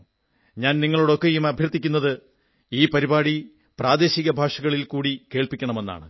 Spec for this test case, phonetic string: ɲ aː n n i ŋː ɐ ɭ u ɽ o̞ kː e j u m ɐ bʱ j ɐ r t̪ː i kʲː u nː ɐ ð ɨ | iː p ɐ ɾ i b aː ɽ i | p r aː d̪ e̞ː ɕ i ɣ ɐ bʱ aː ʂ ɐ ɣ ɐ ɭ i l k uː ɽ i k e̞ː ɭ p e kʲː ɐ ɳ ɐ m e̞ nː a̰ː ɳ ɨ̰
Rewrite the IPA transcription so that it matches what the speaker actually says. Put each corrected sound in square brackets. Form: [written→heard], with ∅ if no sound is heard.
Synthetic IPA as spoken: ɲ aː n n i ŋː ɐ ɭ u ɽ o̞ kː e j u m ɐ bʱ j ɐ r t̪ː i kʲː u nː ɐ ð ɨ | iː p ɐ ɾ i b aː ɽ i | p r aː d̪ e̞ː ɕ i ɣ ɐ bʱ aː ʂ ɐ ɣ ɐ ɭ i l k uː ɽ i k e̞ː ɭ p [e→i] kʲː ɐ ɳ ɐ m e̞ nː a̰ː ɳ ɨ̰